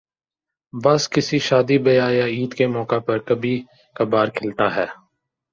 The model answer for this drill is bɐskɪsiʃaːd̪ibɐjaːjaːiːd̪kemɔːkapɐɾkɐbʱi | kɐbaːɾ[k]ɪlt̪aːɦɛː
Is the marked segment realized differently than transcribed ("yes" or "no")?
yes